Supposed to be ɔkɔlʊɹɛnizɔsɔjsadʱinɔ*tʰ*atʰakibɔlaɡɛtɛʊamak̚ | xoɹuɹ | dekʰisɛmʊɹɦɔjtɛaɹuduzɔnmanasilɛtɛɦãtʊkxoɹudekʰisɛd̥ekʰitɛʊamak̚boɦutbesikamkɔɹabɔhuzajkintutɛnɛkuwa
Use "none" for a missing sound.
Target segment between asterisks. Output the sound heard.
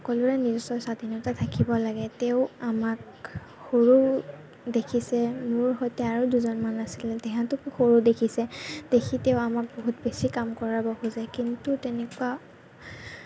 t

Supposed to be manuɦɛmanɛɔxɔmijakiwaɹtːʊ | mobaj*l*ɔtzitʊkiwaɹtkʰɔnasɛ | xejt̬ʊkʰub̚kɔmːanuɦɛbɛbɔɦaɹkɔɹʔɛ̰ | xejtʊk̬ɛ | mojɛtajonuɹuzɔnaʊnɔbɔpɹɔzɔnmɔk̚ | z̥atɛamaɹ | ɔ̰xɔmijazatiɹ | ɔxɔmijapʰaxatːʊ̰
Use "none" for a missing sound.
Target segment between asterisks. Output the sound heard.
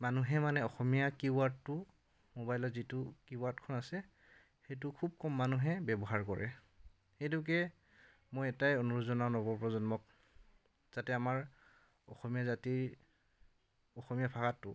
l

